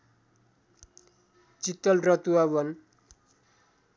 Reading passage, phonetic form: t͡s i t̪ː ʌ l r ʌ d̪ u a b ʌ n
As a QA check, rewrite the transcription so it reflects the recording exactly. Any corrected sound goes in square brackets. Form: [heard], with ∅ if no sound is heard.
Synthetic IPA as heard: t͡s i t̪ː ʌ l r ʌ [t̪] u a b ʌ n